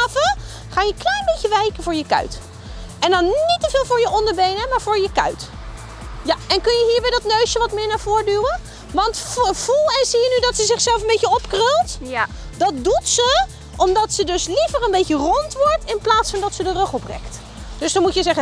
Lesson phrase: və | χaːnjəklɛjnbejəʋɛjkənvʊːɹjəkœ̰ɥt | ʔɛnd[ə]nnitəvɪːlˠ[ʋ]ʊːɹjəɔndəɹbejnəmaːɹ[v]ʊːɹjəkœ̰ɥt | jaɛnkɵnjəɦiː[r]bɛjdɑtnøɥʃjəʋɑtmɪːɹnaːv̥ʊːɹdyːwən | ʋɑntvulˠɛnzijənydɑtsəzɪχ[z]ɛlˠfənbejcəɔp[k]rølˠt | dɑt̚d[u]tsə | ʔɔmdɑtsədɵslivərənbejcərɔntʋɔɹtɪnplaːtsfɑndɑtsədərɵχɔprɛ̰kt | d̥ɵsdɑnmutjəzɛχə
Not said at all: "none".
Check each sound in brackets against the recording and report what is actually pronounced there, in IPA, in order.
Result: ɑ, v, v, ɹ, s, k, u

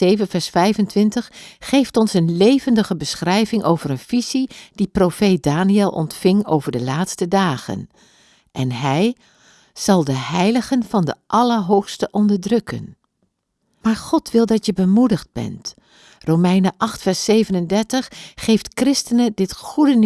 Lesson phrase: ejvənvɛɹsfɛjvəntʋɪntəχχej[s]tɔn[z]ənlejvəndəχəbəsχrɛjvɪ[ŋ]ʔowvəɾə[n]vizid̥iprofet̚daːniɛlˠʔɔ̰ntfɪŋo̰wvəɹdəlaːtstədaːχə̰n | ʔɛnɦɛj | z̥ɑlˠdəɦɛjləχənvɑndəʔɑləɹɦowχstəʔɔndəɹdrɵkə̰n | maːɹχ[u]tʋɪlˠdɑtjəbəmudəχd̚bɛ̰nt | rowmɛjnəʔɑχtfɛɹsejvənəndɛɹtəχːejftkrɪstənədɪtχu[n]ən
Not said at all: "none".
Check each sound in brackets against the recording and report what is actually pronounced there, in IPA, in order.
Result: f, s, ŋ, n, ɔ, d

